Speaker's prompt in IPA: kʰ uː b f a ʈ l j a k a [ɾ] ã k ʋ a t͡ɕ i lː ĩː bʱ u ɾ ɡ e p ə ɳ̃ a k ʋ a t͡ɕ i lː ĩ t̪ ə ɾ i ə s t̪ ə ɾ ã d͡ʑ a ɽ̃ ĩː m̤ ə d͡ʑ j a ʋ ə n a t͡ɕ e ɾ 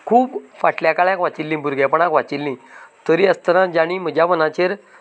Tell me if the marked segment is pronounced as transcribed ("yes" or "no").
no